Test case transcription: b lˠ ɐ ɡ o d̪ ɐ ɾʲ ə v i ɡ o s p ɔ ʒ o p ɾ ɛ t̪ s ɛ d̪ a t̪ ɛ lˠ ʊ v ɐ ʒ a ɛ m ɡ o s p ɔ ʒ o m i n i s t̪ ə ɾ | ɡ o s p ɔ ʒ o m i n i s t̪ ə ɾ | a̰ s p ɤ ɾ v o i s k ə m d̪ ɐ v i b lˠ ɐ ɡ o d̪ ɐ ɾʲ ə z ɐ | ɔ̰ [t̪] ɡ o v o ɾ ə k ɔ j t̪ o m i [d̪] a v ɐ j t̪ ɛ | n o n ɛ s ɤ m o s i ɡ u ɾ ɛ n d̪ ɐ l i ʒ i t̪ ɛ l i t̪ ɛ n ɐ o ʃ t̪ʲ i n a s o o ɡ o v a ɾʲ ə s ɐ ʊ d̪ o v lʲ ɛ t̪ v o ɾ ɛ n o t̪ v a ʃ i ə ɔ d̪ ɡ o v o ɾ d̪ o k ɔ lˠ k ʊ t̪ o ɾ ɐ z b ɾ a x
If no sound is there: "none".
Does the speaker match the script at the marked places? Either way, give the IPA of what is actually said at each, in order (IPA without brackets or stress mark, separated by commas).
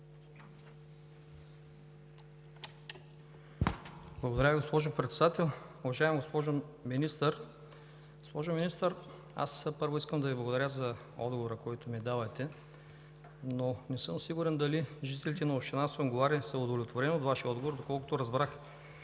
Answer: d̪, d̪